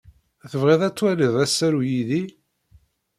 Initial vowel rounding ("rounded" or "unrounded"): unrounded